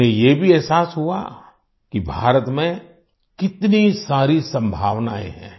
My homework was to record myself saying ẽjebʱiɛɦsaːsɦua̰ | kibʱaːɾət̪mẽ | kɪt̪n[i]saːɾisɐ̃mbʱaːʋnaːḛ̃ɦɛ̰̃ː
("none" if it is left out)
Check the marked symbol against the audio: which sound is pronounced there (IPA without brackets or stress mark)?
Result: i